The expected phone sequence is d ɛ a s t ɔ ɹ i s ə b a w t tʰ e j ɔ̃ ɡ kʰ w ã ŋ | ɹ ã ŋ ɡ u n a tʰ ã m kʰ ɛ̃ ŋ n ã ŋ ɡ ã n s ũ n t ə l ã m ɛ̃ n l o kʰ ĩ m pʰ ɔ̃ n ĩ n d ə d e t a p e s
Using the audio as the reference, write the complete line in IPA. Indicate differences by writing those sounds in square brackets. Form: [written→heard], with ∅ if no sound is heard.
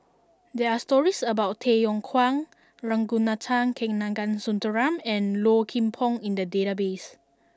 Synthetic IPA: d ɛ a s t ɔ ɹ i s ə b a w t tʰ e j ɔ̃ [ɡ→ŋ] kʰ w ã ŋ | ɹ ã ŋ ɡ u n a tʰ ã [m→ŋ] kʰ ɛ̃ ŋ n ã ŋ ɡ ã n s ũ n t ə [l→ɹ] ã m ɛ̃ n l o kʰ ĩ m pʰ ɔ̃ [n→ŋ] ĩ n d ə d e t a [p→b] e s